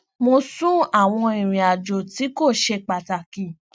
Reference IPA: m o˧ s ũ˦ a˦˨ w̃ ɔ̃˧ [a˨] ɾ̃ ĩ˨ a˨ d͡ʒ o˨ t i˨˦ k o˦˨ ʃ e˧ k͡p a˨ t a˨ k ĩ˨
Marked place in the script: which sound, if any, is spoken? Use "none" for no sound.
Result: i˨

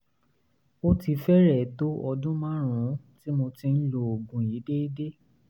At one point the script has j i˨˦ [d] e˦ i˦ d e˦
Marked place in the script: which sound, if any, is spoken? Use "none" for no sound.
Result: d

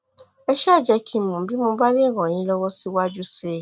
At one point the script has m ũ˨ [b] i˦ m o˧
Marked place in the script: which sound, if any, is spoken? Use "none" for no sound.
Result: b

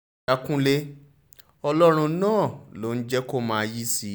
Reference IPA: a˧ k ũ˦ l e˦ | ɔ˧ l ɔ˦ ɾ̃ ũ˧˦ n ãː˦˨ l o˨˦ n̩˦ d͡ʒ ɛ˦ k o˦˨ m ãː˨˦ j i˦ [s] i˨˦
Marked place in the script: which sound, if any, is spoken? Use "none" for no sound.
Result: s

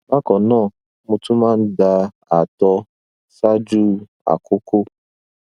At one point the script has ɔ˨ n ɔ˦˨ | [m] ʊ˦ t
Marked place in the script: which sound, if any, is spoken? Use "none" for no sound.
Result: m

